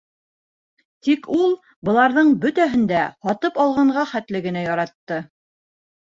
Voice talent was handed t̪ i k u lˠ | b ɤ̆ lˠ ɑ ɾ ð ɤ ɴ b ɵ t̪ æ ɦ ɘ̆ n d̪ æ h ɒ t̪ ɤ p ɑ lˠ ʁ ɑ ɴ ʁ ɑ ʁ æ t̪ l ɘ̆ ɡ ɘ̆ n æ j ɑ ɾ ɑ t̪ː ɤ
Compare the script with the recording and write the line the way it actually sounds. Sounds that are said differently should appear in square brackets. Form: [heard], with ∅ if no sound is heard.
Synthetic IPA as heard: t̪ i k u lˠ | b ɤ̆ lˠ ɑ ɾ ð ɤ ɴ b ɵ t̪ æ ɦ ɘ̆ n d̪ æ h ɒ t̪ ɤ p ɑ lˠ ʁ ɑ ɴ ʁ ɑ [χ] æ t̪ l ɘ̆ ɡ ɘ̆ n æ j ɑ ɾ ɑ t̪ː ɤ